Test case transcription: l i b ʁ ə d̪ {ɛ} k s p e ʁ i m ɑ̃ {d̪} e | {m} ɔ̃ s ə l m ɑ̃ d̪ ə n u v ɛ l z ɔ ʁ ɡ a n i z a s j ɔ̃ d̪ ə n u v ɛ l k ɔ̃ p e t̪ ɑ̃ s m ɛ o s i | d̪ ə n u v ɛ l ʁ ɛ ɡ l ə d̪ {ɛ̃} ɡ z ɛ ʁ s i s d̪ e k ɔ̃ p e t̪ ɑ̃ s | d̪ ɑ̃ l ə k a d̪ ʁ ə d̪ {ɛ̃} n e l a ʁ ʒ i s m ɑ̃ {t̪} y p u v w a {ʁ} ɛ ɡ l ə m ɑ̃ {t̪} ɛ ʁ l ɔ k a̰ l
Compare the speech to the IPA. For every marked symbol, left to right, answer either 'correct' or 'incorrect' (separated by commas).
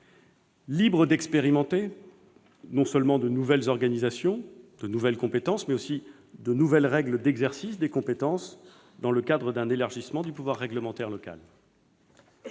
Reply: correct, incorrect, incorrect, incorrect, correct, incorrect, incorrect, correct